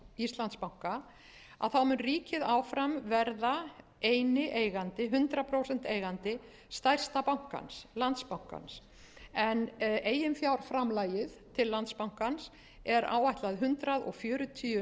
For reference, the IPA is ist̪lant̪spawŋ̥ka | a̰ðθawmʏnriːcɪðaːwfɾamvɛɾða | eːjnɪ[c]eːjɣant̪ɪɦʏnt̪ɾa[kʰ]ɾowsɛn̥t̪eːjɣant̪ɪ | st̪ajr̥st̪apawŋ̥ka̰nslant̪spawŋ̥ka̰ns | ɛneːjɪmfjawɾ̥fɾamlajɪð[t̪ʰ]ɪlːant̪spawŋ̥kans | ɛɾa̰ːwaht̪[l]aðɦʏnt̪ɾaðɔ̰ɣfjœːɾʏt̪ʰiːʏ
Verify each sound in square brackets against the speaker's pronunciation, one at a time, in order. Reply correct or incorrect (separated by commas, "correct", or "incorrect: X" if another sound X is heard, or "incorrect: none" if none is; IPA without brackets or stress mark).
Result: incorrect: ʔ, incorrect: pʰ, correct, correct